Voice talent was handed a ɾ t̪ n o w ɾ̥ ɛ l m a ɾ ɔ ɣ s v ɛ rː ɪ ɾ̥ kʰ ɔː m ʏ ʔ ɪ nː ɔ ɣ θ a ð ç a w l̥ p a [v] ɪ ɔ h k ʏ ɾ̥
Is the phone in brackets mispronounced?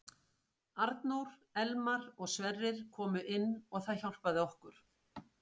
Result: yes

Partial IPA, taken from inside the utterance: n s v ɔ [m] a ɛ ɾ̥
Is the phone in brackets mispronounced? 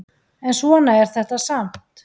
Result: yes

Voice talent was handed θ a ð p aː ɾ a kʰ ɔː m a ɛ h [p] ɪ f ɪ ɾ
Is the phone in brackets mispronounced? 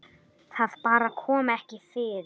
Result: yes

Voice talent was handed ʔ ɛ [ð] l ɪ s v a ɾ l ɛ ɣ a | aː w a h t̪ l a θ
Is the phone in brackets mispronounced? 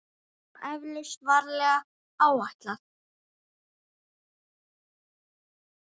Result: yes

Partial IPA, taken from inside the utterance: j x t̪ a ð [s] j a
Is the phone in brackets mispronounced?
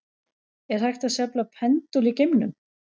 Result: no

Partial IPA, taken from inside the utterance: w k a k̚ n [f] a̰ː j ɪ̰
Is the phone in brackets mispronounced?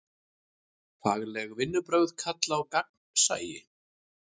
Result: yes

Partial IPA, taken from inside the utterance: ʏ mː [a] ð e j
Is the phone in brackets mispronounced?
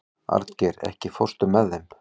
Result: yes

